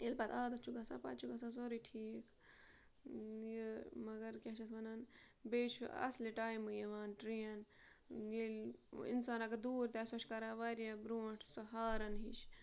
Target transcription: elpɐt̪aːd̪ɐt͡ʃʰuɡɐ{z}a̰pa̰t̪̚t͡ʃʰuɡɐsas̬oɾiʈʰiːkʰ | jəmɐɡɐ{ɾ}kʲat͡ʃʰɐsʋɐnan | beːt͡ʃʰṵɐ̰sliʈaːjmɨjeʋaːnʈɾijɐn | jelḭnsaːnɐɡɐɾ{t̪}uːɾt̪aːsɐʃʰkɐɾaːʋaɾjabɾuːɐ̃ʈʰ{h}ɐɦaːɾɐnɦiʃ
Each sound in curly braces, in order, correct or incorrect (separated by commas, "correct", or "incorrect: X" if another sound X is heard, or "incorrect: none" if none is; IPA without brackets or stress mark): incorrect: s, correct, incorrect: d̪, incorrect: s